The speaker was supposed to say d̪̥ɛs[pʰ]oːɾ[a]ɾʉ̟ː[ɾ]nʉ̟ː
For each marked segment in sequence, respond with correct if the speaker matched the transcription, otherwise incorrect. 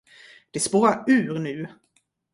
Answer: incorrect: p, correct, correct

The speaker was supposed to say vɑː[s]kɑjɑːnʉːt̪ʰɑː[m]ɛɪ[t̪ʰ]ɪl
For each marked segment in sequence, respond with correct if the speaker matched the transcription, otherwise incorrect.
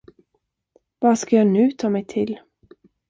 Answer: correct, correct, correct

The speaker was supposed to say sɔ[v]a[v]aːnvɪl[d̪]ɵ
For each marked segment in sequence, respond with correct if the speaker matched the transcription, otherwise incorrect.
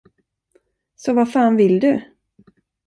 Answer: correct, incorrect: f, correct

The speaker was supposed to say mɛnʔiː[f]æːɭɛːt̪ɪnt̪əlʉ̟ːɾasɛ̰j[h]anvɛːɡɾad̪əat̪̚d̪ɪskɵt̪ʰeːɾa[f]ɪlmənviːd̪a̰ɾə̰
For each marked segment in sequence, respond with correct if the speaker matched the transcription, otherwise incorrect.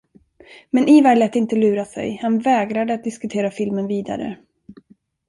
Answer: incorrect: v, correct, correct

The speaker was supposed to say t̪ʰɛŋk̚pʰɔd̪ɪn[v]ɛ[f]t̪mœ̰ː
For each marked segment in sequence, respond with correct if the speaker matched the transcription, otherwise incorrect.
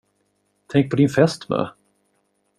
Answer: incorrect: f, incorrect: s

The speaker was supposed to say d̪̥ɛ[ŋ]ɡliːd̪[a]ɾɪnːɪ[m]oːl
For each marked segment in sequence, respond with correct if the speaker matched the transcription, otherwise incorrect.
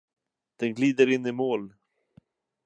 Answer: incorrect: n, incorrect: ə, correct

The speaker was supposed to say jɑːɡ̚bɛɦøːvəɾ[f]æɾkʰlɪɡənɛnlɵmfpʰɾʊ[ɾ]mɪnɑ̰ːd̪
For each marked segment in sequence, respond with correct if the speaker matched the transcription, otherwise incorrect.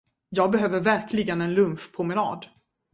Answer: incorrect: v, incorrect: none

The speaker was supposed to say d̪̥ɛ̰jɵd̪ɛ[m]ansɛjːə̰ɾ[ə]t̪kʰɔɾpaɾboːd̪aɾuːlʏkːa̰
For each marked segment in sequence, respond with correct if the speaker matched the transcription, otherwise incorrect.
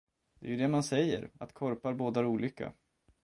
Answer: correct, incorrect: a

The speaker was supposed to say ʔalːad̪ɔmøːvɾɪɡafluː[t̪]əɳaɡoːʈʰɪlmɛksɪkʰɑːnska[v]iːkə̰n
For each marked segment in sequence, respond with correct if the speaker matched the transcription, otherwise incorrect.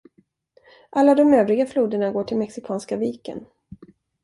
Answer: incorrect: d̪, correct

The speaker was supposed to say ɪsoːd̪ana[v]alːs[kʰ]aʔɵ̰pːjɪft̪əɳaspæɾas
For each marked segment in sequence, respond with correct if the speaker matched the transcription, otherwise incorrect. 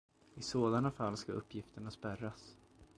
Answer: incorrect: f, incorrect: k

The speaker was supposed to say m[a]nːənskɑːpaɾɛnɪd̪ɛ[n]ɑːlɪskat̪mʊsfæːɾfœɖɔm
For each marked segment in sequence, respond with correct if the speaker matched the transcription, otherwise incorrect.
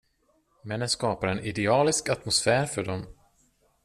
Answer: incorrect: ɛ, incorrect: none

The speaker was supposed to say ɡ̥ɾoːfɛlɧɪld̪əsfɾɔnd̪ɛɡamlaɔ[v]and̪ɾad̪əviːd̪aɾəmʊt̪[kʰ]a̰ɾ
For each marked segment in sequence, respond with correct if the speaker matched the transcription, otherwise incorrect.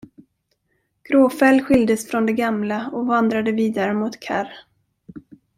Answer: correct, correct

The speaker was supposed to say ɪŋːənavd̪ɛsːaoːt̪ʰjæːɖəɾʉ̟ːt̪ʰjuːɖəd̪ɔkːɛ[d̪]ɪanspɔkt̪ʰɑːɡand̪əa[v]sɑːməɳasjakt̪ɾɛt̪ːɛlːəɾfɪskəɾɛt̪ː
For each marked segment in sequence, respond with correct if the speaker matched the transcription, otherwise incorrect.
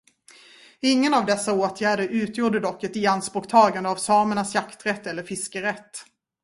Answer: incorrect: t̪, correct

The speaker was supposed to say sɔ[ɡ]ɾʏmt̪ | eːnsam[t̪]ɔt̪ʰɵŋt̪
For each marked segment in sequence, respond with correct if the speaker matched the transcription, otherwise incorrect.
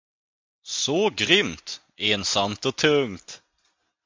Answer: correct, correct

